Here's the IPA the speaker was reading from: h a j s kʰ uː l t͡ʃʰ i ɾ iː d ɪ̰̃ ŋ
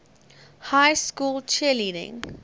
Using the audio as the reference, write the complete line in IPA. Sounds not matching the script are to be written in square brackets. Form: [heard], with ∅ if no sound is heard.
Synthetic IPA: h a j s [k] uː l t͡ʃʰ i [l] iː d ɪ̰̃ ŋ

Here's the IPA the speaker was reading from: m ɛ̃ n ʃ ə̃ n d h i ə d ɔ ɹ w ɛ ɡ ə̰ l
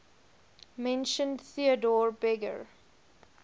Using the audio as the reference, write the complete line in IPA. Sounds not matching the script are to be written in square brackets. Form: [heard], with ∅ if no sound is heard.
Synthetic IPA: m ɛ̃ n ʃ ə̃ n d [θ] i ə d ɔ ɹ [b] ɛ ɡ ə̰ [ɹ]

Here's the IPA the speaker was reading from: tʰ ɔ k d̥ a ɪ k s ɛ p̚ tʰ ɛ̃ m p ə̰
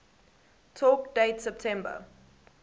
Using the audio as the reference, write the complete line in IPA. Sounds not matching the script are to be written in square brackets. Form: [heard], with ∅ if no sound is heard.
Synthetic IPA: tʰ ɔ k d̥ [e] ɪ [t] s ɛ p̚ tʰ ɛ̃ m [b] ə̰

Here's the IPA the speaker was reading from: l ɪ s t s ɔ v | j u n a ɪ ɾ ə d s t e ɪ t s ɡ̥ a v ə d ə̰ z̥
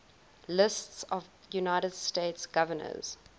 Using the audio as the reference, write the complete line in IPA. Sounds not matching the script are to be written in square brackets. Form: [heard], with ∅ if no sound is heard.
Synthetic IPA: l ɪ s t s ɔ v | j u n a ɪ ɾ ə d s t e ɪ t s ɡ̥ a v ə [n] ə̰ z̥

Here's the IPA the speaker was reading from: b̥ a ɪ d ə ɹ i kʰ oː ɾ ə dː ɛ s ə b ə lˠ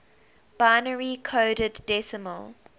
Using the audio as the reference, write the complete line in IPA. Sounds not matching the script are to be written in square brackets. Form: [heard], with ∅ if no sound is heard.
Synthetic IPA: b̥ a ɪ [n] ə ɹ i kʰ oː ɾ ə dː ɛ s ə [m] ə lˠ

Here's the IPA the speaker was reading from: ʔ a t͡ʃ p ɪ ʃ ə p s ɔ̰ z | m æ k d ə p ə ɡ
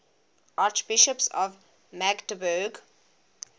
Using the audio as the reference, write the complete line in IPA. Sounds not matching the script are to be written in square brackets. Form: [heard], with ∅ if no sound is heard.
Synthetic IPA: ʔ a t͡ʃ [b] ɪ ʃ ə p s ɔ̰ [v] | m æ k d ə [b] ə ɡ

